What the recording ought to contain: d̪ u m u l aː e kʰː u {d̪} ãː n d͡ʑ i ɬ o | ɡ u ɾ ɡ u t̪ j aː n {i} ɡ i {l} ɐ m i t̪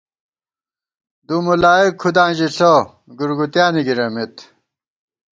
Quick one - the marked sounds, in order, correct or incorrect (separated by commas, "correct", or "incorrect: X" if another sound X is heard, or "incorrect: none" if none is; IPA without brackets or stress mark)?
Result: correct, correct, incorrect: ɾ